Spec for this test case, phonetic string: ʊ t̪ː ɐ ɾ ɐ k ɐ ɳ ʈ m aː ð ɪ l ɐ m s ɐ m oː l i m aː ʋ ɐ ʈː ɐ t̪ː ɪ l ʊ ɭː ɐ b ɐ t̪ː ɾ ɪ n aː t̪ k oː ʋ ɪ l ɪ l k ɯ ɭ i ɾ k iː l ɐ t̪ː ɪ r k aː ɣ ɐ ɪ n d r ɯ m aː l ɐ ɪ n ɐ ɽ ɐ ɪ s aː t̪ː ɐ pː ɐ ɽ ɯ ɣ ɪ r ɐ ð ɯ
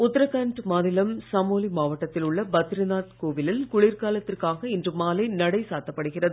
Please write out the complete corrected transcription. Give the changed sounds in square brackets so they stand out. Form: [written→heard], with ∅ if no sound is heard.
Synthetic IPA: ʊ t̪ː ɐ ɾ ɐ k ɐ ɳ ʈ m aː ð ɪ l ɐ m s ɐ m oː l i m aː ʋ ɐ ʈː ɐ t̪ː ɪ l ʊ ɭː ɐ b ɐ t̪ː ɾ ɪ n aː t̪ k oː ʋ ɪ l ɪ l k [ɯ→ʊ] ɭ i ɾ k [iː→aː] l ɐ t̪ː ɪ r k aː ɣ ɐ ɪ n d r ɯ m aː l ɐ ɪ n ɐ ɽ ɐ ɪ s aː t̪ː ɐ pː ɐ ɽ ɯ ɣ ɪ r ɐ ð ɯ